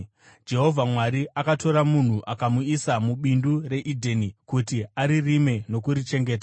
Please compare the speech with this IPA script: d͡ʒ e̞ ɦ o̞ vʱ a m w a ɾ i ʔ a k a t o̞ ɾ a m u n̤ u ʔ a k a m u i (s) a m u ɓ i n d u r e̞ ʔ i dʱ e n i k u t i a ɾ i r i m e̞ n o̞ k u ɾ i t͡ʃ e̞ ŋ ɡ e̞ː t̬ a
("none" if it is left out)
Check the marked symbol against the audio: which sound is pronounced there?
s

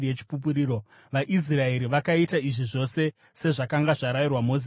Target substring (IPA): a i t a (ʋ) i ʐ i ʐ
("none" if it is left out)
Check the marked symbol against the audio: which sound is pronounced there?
none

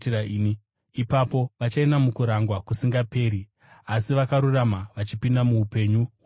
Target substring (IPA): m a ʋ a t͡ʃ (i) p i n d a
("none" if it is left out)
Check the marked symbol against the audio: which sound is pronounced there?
i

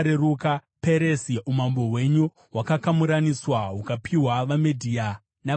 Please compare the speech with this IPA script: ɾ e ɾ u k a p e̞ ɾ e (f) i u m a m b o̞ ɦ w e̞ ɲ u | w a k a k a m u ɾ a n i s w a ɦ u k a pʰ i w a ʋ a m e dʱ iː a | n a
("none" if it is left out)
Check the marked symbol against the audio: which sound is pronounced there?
s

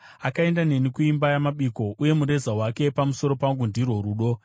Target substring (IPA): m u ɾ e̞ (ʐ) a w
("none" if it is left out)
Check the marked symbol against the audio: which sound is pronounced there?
z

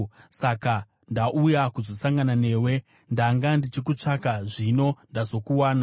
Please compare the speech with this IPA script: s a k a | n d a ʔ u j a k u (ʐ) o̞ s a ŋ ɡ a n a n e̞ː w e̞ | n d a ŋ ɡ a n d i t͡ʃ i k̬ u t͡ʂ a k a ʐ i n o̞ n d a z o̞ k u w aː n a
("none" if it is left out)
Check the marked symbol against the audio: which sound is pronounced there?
z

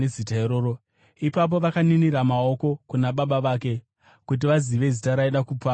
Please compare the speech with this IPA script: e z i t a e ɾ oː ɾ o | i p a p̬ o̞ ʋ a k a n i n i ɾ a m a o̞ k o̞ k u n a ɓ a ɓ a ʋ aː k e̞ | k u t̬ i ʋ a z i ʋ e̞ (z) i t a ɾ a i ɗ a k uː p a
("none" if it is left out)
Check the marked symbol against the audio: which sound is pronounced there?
z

